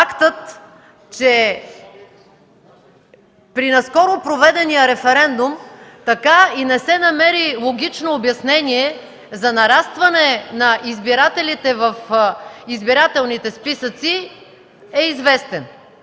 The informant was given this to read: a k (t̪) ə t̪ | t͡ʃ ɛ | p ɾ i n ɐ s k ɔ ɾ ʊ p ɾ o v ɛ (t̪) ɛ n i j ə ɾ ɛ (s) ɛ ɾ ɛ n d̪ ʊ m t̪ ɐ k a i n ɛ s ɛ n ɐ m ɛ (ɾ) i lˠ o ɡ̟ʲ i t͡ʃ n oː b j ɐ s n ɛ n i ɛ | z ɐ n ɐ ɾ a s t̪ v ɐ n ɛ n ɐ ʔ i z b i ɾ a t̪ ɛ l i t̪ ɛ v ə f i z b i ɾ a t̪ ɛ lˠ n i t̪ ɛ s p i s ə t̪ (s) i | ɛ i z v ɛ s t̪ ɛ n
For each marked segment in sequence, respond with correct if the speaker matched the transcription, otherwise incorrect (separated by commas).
correct, incorrect, incorrect, correct, correct